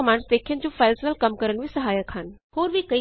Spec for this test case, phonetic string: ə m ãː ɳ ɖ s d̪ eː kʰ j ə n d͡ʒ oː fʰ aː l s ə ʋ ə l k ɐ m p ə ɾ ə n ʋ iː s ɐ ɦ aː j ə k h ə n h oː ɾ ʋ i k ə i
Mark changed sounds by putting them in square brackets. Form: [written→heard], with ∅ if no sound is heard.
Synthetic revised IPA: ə m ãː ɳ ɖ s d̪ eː kʰ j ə n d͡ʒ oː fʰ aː l s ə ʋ ə l k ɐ m [p→k] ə ɾ ə n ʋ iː s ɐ ɦ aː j ə k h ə n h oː ɾ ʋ i k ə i